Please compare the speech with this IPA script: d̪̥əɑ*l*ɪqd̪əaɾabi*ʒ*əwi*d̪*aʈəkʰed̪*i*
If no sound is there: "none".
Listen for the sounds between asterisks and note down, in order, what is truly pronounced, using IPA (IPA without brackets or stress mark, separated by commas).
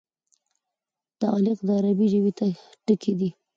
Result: l, ʒ, t̪, i